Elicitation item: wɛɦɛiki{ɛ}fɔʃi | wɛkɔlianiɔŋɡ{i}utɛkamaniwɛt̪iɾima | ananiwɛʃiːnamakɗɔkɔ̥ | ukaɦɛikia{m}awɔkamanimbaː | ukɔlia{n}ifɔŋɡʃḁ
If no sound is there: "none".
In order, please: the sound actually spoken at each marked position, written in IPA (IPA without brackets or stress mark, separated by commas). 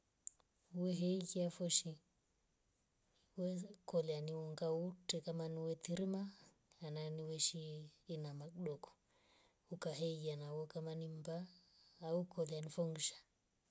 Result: a, a, n, n